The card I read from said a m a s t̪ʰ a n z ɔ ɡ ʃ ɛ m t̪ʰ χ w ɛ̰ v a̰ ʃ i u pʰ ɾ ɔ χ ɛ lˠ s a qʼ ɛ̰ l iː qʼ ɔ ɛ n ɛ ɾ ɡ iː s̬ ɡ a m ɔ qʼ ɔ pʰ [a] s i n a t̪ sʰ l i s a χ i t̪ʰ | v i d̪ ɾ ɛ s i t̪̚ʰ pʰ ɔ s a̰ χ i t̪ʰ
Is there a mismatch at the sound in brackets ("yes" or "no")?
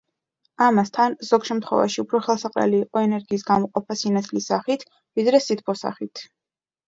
no